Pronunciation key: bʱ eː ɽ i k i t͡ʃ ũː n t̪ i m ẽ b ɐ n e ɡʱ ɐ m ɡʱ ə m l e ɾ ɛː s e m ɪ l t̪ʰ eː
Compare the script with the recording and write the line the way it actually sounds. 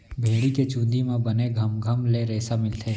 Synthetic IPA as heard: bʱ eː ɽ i k e t͡ʃ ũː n d̪ i m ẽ b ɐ n e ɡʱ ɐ m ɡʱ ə m l e ɾ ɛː s a m ɪ l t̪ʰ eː